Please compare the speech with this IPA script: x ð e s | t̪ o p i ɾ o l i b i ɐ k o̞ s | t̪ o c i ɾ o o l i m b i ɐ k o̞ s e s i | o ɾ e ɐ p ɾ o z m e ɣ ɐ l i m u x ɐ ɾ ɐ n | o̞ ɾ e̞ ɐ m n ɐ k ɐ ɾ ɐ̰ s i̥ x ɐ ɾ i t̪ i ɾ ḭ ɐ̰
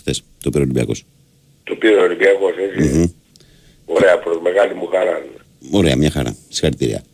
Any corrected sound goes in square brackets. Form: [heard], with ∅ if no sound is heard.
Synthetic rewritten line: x [θ] e s | t̪ o p i ɾ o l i b i ɐ k o̞ s | t̪ o [p] i ɾ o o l i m b i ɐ k o̞ s e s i | o ɾ e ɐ p ɾ o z m e ɣ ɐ l i m u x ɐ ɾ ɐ n | o̞ ɾ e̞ ɐ m [ɲ] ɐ [x] ɐ ɾ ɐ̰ s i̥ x ɐ ɾ i t̪ i ɾ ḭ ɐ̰